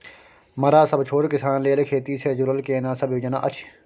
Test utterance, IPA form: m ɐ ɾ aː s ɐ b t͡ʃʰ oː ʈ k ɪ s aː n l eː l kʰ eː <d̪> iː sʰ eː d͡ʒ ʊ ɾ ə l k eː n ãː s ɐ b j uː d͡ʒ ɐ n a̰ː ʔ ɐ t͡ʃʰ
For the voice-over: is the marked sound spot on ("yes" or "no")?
no